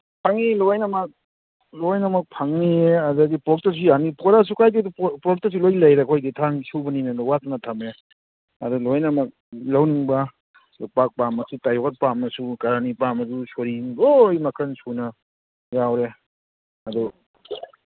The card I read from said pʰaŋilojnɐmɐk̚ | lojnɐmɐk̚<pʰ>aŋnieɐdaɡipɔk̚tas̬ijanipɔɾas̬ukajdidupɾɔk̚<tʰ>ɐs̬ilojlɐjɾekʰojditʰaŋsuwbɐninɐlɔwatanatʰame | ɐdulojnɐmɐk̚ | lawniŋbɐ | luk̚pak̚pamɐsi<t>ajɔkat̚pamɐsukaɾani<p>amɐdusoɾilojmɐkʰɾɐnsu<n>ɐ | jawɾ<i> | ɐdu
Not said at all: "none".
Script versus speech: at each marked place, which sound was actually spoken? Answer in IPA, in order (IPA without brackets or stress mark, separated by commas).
pʰ, t, t, p, n, e